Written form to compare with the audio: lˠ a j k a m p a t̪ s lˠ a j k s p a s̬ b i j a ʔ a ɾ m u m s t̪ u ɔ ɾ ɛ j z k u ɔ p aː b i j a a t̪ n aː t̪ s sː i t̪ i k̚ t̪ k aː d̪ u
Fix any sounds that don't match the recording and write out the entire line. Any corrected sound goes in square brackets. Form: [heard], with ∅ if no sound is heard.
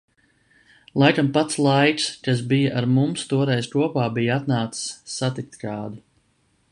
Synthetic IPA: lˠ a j k a m p a t̪ s lˠ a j k s [k] a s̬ b i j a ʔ a ɾ m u m s t̪ u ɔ ɾ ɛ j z k u ɔ p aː b i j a a t̪ n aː t̪ s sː [a] t̪ i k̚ t̪ k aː d̪ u